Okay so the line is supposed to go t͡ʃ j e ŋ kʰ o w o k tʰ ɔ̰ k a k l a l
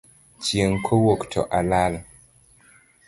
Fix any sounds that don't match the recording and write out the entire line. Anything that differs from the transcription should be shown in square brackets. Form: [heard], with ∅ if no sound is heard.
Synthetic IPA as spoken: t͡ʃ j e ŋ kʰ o w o k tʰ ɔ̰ [ʔ] a [∅] l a l